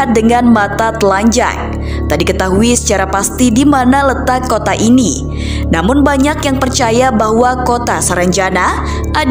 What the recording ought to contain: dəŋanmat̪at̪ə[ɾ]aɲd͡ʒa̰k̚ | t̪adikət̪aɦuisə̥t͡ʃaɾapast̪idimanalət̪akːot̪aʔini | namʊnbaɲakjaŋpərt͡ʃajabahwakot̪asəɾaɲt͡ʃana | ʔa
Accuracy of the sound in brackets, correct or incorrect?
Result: incorrect